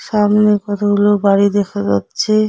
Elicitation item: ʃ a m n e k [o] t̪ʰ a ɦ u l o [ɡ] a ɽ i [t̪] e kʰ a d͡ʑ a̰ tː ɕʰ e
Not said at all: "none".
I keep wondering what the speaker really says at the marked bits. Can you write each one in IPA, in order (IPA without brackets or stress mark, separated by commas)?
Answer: ɔ, b, d̪